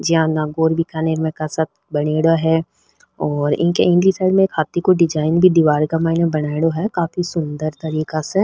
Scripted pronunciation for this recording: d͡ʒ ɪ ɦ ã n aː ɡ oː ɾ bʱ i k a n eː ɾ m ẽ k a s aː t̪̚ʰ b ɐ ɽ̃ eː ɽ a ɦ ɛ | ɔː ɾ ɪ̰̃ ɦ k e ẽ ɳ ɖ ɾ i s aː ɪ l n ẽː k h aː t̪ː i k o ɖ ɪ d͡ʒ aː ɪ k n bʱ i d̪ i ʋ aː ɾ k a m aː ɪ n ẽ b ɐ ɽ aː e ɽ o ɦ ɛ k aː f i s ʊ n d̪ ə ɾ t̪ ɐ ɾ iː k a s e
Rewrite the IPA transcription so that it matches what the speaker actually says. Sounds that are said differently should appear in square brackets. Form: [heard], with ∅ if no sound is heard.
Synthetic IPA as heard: d͡ʒ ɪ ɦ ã n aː ɡ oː ɾ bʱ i k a n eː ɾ m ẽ k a s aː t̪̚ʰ b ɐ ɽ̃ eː ɽ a ɦ ɛ | ɔː ɾ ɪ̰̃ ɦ k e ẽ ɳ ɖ [l] i s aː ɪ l [m] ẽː k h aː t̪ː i k o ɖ ɪ d͡ʒ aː ɪ [∅] n bʱ i d̪ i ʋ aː ɾ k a m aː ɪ n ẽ b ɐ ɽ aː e ɽ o ɦ ɛ k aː f i s ʊ n d̪ ə ɾ t̪ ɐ ɾ iː k a s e